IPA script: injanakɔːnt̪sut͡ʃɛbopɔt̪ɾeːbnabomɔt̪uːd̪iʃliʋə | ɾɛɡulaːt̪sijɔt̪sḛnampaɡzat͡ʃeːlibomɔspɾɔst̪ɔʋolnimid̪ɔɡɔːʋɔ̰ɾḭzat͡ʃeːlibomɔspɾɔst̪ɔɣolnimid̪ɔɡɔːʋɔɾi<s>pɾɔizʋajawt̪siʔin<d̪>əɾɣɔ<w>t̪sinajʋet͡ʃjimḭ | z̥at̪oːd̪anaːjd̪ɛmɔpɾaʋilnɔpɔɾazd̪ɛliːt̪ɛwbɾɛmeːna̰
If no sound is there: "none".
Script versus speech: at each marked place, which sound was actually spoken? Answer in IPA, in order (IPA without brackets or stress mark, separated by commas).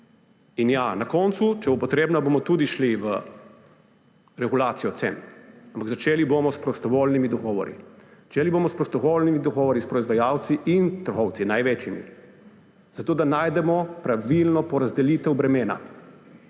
s, t̪, w